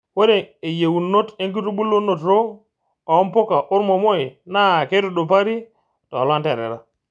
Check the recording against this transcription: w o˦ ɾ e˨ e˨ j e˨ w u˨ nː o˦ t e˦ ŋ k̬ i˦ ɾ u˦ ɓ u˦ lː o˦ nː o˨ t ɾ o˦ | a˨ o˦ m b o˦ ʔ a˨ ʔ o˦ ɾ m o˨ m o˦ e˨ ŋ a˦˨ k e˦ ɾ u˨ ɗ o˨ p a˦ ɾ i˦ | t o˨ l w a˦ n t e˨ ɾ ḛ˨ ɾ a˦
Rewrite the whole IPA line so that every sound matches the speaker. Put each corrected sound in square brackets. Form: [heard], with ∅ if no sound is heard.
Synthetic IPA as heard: w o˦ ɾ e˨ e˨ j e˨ w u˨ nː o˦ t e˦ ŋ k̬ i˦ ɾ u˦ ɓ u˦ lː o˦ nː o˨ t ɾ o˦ | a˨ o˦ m [p] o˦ [k] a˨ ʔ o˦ ɾ m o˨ m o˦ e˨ [n] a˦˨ k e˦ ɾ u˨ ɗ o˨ p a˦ ɾ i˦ | t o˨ l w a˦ n t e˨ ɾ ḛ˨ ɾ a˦